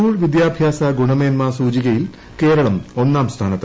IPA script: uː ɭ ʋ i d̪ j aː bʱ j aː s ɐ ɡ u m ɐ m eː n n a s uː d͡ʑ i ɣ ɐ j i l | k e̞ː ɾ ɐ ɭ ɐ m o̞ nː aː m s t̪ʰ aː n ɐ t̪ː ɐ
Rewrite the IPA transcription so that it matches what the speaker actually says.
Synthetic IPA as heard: uː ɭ ʋ i d̪ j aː bʱ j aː s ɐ ɡ u ɳ ɐ m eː n m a s uː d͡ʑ i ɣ ɐ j i l | k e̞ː ɾ ɐ ɭ ɐ m o̞ nː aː m s t̪ʰ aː n ɐ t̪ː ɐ